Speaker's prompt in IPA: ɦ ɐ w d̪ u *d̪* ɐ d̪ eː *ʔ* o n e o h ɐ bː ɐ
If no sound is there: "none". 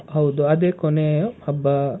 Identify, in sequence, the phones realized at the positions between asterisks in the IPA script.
none, k

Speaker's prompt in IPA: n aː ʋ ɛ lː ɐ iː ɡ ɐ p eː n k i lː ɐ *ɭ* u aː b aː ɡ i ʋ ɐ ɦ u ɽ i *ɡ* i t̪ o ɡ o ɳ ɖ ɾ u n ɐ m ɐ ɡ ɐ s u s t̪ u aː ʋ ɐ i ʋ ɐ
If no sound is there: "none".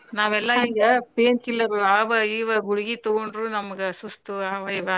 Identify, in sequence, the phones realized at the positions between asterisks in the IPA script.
ɾ, ɡ

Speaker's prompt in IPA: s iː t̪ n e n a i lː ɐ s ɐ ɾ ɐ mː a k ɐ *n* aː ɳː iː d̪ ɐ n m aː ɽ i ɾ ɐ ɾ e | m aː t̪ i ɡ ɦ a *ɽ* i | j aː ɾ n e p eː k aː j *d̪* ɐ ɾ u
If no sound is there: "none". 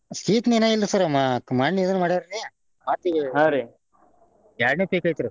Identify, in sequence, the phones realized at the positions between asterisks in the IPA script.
m, ɾ, t̪

